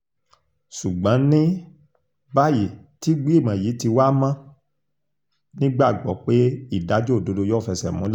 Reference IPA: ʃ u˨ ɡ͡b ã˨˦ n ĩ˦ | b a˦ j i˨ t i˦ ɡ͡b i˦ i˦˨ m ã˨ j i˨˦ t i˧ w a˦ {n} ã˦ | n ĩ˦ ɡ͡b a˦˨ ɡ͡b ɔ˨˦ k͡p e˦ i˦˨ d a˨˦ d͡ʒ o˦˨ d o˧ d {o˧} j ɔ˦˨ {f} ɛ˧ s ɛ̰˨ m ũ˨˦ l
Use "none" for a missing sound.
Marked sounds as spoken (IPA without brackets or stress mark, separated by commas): m, o˧, f